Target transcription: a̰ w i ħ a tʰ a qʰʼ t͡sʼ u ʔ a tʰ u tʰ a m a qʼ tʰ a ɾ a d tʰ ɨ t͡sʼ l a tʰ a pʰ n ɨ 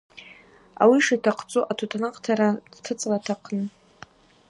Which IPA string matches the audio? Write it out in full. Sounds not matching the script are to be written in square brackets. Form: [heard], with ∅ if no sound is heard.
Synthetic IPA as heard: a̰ w i [ʂ] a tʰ a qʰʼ t͡sʼ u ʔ a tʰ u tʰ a [n] a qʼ tʰ a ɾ a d tʰ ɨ t͡sʼ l a tʰ a [qʰ] n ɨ